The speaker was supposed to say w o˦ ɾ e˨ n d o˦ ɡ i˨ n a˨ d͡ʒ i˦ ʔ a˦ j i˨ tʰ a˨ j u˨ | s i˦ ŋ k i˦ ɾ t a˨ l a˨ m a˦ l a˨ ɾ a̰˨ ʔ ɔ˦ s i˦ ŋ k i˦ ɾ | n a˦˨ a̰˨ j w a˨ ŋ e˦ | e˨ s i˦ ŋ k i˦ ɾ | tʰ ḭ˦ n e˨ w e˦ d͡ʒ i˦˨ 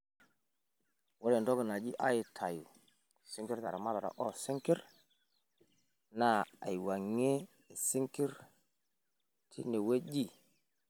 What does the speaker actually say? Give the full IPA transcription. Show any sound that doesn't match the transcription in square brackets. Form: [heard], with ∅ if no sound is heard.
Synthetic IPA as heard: w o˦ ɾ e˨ n d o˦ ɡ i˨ n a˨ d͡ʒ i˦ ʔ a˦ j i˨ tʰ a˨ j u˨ | s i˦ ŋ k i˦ ɾ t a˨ [ɾ] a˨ m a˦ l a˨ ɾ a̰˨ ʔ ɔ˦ s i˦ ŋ k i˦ ɾ | n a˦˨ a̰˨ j w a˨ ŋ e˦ | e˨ s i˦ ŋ k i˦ ɾ | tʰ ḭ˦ n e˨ w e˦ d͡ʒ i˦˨